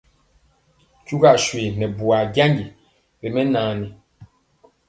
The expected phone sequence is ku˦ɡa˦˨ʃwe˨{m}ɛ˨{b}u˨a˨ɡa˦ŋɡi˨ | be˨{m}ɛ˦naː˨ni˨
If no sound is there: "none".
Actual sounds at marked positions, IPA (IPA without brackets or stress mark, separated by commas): n, b, m